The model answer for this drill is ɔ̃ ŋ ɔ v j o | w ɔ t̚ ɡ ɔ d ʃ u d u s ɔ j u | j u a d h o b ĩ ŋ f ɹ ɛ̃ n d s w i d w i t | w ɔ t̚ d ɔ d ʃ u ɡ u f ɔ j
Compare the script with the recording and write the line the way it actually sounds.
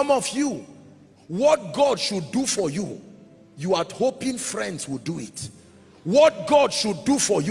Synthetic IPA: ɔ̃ m ɔ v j u | w ɔ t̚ ɡ ɔ d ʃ u d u f ɔ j u | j u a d h o p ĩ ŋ f ɹ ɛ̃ n d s w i d u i t | w ɔ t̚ ɡ ɔ d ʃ u d u f ɔ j